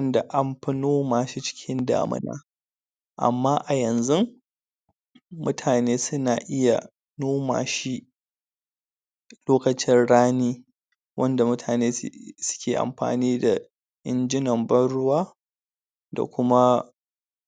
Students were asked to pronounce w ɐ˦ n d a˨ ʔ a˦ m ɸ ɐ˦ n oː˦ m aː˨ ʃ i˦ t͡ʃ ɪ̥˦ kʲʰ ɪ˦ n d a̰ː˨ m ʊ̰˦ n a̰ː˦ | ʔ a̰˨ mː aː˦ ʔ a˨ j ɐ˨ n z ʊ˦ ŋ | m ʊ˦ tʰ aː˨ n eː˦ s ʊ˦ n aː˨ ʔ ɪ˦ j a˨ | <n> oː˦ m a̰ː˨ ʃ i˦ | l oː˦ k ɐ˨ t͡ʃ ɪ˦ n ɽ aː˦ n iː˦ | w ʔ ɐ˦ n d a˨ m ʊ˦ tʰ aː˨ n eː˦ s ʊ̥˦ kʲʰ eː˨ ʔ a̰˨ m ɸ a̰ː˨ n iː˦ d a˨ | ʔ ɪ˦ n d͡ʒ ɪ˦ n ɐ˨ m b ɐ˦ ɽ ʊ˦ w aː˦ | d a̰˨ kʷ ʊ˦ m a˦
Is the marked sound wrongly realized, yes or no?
no